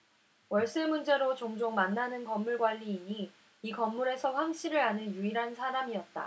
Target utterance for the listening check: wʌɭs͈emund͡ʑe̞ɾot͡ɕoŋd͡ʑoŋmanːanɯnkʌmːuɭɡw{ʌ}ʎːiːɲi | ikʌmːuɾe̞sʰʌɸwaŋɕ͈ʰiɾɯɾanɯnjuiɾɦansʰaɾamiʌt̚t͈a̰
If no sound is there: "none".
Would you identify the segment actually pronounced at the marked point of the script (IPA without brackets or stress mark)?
a